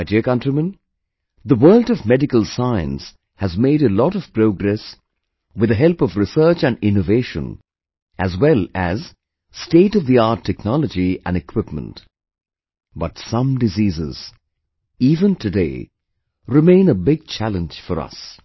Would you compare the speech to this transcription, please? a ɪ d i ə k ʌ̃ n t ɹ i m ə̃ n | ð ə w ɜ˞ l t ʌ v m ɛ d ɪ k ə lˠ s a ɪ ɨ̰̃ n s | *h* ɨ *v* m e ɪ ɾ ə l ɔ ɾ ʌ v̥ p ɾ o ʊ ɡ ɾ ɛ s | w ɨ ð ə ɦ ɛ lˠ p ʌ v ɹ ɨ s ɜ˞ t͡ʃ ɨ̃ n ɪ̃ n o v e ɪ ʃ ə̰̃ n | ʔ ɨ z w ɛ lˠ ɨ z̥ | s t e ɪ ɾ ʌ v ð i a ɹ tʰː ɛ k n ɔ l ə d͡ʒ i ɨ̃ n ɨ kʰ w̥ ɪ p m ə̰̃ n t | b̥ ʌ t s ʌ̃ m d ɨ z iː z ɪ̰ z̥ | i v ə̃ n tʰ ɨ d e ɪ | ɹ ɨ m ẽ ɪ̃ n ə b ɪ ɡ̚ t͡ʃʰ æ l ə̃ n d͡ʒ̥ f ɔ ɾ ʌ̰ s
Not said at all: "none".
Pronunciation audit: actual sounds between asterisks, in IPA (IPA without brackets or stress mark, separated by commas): h, z